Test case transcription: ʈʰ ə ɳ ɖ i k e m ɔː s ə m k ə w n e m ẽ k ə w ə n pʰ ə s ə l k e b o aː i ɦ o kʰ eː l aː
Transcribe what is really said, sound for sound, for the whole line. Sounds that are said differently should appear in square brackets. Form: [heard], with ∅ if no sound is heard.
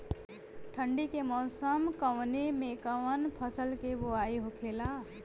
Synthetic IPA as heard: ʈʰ ə ɳ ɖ i k e m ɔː s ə m k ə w n e m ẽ k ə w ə n pʰ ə s ə l k e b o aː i ɦ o kʰ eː l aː